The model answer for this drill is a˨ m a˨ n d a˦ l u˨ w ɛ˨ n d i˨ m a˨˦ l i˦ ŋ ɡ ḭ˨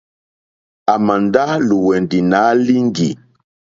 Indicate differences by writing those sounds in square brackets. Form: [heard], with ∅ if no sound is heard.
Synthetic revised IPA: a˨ m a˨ n d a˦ l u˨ w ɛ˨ n d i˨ [n] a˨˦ l i˦ ŋ ɡ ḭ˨